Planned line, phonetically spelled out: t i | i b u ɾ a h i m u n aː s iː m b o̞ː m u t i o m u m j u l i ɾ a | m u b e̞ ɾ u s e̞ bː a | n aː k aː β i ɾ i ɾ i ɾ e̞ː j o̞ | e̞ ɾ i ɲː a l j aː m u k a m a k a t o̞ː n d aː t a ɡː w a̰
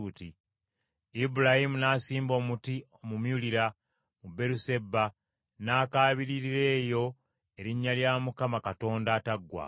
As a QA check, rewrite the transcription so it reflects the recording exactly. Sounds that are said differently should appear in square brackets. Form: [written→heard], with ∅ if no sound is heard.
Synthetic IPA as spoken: t i | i b u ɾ a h i m u n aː s iː m b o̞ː m u t i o m u m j u l i ɾ a | m u b e̞ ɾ u s e̞ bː a | n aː k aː β i ɾ i ɾ i ɾ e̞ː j o̞ | e̞ ɾ i ɲː a l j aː m u k a m a k a t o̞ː n d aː t a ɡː w a̰